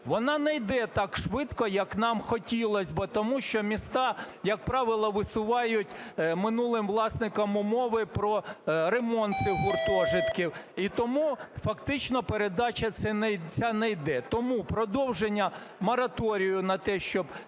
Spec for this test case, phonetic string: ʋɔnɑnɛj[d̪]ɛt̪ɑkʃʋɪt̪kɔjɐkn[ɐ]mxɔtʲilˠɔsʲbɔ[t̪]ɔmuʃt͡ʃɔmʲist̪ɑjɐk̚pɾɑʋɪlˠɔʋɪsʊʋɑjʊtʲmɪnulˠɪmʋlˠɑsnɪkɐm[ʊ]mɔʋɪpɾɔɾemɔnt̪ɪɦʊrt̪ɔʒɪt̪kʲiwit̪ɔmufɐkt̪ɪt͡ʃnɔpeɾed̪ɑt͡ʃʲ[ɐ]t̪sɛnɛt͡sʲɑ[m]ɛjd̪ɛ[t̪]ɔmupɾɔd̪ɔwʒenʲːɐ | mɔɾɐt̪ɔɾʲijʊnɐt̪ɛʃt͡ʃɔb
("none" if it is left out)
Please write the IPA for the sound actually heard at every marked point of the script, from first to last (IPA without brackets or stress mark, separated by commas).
d̪, ɑ, t̪, ʊ, ɐ, n, t̪